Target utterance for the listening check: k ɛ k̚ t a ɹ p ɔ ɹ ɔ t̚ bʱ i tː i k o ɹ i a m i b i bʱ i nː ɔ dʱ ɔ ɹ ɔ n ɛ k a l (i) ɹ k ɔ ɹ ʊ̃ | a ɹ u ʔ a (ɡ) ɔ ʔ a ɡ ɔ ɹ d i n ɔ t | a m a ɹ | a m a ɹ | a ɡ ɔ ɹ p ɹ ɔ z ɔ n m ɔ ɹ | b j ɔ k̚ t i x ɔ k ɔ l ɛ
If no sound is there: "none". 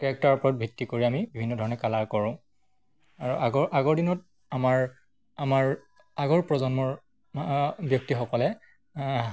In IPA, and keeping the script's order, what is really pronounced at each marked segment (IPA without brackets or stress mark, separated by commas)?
a, ɡ